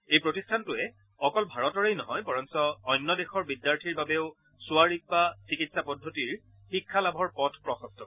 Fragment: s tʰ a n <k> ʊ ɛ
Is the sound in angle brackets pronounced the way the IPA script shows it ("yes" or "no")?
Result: no